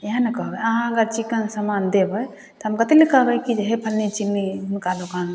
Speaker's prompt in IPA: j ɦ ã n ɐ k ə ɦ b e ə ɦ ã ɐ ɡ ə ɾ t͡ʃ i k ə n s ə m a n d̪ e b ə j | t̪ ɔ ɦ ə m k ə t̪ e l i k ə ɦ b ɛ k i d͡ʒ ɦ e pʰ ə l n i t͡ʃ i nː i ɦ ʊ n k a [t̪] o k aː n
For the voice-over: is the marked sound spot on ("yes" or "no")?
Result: no